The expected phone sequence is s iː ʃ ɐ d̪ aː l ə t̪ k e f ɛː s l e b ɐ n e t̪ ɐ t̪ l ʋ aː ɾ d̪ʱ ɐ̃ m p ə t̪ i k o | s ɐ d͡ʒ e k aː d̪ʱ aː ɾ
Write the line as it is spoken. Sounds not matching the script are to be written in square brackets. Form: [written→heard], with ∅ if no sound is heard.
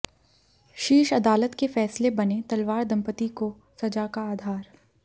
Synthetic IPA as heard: [s→ʃ] iː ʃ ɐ d̪ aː l ə t̪ k e f ɛː s l e b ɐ n e t̪ ɐ [t̪→∅] l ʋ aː ɾ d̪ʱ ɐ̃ m p ə t̪ i k o | s ɐ d͡ʒ [e→a] k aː d̪ʱ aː ɾ